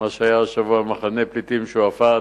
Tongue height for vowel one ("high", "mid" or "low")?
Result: low